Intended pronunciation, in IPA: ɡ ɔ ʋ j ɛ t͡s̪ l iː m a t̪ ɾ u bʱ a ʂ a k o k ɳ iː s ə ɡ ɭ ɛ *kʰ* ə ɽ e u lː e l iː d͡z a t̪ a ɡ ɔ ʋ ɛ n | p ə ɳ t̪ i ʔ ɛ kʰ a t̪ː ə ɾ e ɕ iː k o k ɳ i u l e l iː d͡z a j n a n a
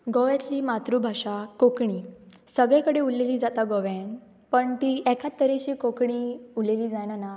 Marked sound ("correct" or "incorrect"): incorrect